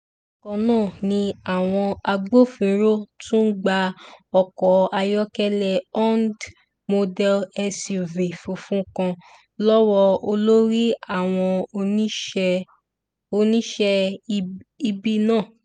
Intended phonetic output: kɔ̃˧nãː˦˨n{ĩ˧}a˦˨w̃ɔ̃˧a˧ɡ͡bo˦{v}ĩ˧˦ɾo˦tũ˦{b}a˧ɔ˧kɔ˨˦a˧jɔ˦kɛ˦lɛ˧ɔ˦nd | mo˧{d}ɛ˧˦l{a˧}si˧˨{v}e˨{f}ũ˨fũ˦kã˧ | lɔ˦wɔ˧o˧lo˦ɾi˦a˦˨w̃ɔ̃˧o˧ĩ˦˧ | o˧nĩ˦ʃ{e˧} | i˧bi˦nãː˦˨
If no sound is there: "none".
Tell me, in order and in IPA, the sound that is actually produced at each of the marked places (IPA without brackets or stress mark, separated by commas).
ĩ˧, f, ɡ͡b, d, ɛ˧, v, f, ɛ˧